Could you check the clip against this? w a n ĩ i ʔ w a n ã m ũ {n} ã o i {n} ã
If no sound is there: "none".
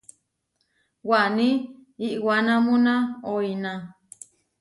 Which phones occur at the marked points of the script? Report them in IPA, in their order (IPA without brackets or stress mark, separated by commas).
n, n